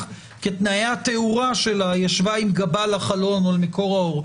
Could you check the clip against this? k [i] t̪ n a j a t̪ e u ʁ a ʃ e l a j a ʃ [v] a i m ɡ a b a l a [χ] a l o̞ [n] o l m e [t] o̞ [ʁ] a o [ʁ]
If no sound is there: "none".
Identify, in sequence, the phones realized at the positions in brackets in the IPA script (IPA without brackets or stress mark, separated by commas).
e, v, χ, n, k, ʁ, ʁ